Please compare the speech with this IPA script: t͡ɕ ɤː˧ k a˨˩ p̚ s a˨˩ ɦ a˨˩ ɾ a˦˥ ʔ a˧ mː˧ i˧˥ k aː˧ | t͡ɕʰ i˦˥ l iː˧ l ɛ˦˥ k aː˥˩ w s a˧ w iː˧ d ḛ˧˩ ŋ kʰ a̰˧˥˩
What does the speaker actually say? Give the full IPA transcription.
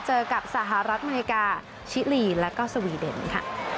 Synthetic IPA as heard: t͡ɕ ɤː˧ k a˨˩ p̚ s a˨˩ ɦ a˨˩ ɾ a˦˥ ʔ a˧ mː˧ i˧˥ k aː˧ | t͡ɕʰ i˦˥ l iː˧ l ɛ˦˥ k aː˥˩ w s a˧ w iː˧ d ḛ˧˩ n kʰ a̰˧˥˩

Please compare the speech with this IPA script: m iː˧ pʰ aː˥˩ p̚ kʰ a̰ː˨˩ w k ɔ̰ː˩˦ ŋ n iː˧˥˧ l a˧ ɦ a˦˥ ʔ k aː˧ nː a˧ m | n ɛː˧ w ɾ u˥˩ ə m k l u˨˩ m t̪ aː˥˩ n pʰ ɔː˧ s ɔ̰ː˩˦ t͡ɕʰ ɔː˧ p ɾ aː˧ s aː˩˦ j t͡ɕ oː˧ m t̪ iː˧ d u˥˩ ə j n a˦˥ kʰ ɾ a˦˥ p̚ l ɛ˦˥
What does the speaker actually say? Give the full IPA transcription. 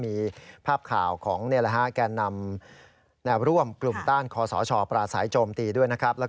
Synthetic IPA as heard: m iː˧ pʰ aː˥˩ p̚ kʰ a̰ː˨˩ w kʰ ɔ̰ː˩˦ ŋ n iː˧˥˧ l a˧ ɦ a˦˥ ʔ k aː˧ nː a˧ m | n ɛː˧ w ɾ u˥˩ ə m k l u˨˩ m t̪ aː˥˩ n kʰ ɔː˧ s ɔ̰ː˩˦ t͡ɕʰ ɔː˧ p ɾ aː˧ s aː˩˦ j t͡ɕ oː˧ m t̪ iː˧ d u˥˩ ə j n a˦˥ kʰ ɾ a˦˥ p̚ l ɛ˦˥

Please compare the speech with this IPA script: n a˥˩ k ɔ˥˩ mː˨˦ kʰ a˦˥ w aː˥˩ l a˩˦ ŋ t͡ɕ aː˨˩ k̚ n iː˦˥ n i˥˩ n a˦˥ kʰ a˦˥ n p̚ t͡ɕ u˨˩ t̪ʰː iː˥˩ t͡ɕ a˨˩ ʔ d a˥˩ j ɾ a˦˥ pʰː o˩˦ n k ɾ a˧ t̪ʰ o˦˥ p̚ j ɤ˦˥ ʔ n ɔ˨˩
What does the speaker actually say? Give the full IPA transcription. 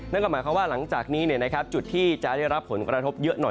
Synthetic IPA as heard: n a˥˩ k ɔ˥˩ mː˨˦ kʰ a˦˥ w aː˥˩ l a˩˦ ŋ t͡ɕ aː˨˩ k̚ n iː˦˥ n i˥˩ n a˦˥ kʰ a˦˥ p̚ t͡ɕ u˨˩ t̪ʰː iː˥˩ t͡ɕ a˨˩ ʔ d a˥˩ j ɾ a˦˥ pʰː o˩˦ n k ɾ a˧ t̪ʰ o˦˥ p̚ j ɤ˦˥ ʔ n ɔ˨˩

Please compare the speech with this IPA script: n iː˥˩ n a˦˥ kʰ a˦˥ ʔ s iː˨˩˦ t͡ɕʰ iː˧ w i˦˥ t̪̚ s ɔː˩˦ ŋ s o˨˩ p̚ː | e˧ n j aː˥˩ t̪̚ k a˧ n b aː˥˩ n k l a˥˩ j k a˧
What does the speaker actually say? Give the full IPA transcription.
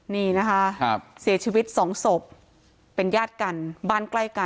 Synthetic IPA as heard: n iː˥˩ n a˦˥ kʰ a˦˥ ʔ s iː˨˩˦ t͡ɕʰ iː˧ w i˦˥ t̪̚ s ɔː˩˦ ŋ s o˨˩ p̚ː | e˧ n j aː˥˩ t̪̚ k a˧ n b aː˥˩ n k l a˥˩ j k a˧

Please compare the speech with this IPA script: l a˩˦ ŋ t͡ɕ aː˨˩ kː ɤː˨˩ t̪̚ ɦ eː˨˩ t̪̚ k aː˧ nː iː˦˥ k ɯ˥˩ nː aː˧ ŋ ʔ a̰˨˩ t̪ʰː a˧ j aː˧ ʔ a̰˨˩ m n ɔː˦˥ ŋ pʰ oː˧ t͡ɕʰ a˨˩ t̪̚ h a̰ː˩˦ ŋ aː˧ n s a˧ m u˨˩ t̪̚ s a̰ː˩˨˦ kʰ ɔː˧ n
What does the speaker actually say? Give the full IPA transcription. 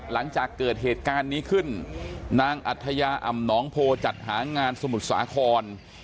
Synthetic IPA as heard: l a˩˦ ŋ t͡ɕ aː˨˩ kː ɤː˨˩ t̪̚ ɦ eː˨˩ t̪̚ k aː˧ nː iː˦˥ kʰ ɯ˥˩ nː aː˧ ŋ ʔ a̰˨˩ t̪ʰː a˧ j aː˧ ʔ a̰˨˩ m n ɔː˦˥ ŋ pʰ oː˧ t͡ɕ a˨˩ t̪̚ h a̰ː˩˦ ŋ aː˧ n s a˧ m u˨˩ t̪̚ s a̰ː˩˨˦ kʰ ɔː˧ n

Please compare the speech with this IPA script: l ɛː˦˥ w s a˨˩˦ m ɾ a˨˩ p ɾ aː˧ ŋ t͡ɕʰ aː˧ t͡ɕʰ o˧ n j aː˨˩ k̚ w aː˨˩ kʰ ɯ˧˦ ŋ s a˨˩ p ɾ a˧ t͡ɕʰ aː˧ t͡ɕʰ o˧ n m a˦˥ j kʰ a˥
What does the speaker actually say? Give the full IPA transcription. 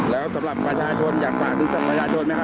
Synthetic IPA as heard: l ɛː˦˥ w s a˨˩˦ m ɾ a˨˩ p ɾ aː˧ t͡ɕʰ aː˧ t͡ɕʰ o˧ n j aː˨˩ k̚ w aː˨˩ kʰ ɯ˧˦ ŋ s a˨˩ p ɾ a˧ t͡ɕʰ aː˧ t͡ɕʰ o˧ n m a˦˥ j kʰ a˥

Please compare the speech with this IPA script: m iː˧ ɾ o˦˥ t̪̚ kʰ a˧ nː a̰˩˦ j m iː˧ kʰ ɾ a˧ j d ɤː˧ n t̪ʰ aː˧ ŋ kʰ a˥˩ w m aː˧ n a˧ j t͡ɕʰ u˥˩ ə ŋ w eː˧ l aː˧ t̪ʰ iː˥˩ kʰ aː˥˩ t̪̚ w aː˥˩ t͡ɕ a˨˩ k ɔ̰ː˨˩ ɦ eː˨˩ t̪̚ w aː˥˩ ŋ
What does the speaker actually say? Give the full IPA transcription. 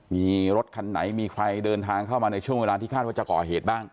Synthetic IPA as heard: m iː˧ ɾ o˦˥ t̪̚ kʰ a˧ nː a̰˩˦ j m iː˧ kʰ ɾ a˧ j d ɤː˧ n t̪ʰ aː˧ ŋ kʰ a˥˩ w m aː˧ n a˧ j t͡ɕʰ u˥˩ ə ŋ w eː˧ l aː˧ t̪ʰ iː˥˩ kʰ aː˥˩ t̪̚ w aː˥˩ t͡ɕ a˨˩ k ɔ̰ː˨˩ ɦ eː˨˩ t̪̚ b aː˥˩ ŋ

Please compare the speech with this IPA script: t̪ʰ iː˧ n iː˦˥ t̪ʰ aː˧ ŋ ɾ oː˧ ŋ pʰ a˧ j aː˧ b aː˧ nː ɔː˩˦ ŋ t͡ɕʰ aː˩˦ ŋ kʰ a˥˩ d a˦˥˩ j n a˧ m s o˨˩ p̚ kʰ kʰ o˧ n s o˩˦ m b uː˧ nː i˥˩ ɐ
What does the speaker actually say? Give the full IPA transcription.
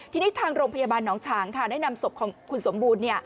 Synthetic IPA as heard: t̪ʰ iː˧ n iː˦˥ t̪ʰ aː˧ ŋ ɾ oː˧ ŋ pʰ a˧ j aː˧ b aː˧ nː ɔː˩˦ ŋ t͡ɕʰ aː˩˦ ŋ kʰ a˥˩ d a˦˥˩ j n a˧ m s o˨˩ p̚ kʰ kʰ u˧ n s o˩˦ m b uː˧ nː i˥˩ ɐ

